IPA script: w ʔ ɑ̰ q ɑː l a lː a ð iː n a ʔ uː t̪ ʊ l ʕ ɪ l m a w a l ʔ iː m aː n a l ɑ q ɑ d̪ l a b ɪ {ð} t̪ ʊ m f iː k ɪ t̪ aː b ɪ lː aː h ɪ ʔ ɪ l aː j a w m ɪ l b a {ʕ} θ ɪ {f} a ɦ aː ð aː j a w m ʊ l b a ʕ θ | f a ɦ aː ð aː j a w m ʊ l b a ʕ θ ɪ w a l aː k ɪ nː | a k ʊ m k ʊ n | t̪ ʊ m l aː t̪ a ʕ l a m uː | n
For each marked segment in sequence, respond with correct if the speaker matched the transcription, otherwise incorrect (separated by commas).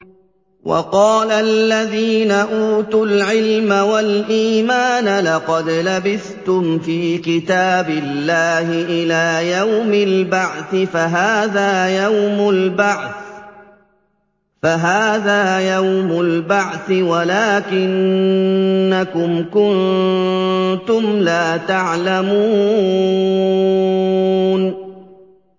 incorrect, correct, correct